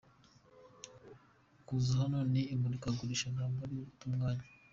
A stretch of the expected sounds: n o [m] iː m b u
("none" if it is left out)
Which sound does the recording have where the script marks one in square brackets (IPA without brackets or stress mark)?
n